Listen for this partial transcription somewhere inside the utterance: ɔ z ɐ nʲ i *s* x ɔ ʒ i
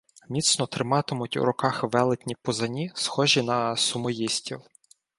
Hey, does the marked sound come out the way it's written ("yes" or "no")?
yes